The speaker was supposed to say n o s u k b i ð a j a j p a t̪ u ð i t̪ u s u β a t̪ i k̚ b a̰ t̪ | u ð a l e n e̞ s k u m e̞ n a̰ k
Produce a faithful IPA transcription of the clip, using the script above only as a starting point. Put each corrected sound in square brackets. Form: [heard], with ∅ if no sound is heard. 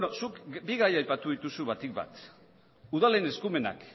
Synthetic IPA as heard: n o s u k b i [ɣ] a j a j p a t̪ u ð i t̪ u s u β a t̪ i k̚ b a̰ t̪ | u ð a l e n e̞ s k u m e̞ n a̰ k

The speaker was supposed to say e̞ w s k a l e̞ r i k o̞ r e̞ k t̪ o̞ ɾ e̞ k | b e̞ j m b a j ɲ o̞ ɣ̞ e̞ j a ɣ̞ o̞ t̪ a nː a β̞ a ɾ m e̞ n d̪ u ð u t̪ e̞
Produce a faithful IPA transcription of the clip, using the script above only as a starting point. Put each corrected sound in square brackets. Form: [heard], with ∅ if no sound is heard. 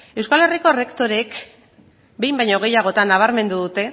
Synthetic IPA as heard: e̞ w s k a l e̞ r i k o̞ r e̞ k t̪ o̞ ɾ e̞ k | b e̞ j m b a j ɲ o̞ ɣ̞ e̞ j a ɣ̞ o̞ t̪ a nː a β̞ a ɾ m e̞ n d̪ u ð u t̪ e̞

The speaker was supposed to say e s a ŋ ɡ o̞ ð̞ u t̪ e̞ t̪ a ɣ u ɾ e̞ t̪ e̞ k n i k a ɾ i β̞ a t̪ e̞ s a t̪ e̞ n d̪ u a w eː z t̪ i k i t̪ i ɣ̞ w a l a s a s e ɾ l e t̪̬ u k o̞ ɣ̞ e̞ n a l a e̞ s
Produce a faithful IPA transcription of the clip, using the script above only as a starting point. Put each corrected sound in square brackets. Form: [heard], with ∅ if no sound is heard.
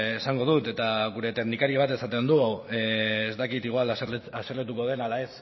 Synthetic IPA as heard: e s a ŋ ɡ o̞ ð̞ u t̪ e̞ t̪ a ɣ u ɾ e̞ t̪ e̞ k n i k a ɾ i β̞ a t̪ e̞ s a t̪ e̞ n d̪ u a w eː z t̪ [a] k i t̪ i ɣ̞ w a l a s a s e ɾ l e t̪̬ u k o̞ [ð̞] e̞ n a l a e̞ s

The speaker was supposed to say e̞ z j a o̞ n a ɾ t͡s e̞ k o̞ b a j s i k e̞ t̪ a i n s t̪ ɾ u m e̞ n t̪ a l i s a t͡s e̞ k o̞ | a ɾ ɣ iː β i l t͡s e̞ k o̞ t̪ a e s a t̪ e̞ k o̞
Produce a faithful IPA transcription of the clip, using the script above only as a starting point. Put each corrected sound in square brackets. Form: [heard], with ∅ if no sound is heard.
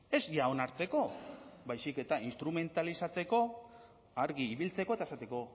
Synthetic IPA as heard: e̞ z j a o̞ n a ɾ t͡s e̞ k o̞ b a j s i k e̞ t̪ a i n s t̪ ɾ u m e̞ n t̪ a l i s a t͡s e̞ k o̞ | a ɾ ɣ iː β i l t͡s e̞ k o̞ t̪ a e s a t̪ e̞ k o̞

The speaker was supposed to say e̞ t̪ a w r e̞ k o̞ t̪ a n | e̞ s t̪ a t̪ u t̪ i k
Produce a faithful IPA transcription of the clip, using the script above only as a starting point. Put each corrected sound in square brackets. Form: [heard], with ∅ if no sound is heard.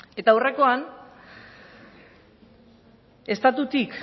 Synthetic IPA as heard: e̞ t̪ a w r e̞ k o̞ [∅] a n | e̞ s t̪ a t̪ u t̪ i k

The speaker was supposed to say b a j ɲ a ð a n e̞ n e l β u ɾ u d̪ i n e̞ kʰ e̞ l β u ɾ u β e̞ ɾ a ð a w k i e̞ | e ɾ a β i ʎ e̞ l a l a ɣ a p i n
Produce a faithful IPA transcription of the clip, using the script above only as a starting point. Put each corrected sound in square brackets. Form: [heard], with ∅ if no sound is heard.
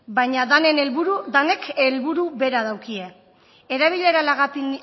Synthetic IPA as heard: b a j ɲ a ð a n e̞ n e l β u ɾ u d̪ [a] n e̞ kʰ e̞ l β u ɾ u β e̞ ɾ a ð a w k i e̞ | e ɾ a β i ʎ e̞ [ɾ] a l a ɣ a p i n

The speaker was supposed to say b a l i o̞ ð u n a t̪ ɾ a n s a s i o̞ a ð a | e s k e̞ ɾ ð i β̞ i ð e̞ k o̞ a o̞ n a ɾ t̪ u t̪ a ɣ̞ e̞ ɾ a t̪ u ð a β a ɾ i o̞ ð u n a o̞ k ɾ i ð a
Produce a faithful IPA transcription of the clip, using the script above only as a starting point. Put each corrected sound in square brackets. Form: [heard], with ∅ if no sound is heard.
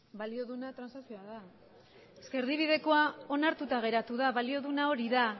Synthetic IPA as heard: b a l i o̞ ð u n a t̪ ɾ a n s a s i o̞ a ð a | e s k e̞ ɾ ð i β̞ i ð e̞ k o̞ a o̞ n a ɾ t̪ u t̪ a ɣ̞ e̞ ɾ a t̪ u ð a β a [l] i o̞ ð u n a o̞ [∅] ɾ i ð a

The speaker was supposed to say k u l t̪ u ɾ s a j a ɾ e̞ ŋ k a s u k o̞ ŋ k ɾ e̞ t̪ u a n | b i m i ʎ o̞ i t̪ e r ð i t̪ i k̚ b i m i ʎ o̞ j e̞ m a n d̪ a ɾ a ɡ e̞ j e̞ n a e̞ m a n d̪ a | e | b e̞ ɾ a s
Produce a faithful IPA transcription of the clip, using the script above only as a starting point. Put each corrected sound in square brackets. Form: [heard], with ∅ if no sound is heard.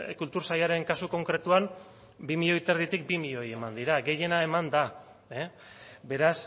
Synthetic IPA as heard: k u l t̪ u ɾ s a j a ɾ e̞ ŋ k a s u k o̞ ŋ k ɾ e̞ t̪ u a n | b i m i ʎ o̞ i t̪ e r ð i t̪ i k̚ b i m i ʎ o̞ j e̞ m a n d̪ [i] ɾ a ɡ e̞ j e̞ n a e̞ m a n d̪ a | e | b e̞ ɾ a s

